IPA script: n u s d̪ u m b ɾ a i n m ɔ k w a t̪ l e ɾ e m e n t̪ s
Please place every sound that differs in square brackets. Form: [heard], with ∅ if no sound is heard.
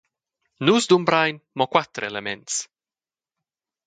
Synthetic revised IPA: n u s d̪ u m b ɾ a [j] n m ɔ k w a t̪ [ɾ] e [l] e m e n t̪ s

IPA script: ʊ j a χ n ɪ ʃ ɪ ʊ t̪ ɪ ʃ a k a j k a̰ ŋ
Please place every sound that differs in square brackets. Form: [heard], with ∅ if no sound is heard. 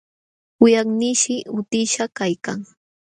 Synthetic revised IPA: ʊ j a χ n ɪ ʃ ɪ ʊ t̪ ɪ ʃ a k a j k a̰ ŋ

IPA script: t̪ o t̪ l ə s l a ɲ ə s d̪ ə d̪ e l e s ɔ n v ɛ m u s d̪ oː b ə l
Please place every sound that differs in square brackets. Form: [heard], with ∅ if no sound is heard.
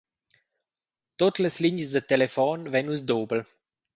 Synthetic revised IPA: t̪ o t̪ l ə s l [i] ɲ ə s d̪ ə [t̪] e l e [f] ɔ n v ɛ [n] u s d̪ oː b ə l

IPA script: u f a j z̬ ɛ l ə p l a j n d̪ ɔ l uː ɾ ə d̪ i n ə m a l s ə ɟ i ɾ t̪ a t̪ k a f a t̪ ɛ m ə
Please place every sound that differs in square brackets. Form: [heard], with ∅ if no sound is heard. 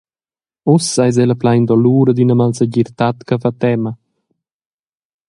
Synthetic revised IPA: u [s] a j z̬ ɛ l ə p l a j n d̪ ɔ l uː ɾ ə d̪ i n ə m a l s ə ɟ i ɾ t̪ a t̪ k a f a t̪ ɛ m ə

